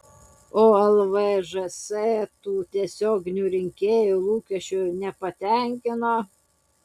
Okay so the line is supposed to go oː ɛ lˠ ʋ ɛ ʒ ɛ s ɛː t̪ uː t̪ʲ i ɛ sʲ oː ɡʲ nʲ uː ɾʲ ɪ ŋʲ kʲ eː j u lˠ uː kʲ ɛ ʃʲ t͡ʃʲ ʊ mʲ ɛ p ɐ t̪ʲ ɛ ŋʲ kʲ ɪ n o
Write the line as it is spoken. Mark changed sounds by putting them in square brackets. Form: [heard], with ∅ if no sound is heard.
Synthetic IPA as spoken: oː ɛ lˠ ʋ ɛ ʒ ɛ s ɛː t̪ uː t̪ʲ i ɛ sʲ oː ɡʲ nʲ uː ɾʲ ɪ ŋʲ kʲ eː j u lˠ uː kʲ ɛ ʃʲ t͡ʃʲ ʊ [nʲ] ɛ p ɐ t̪ʲ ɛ ŋʲ kʲ ɪ n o